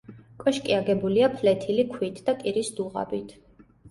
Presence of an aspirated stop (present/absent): present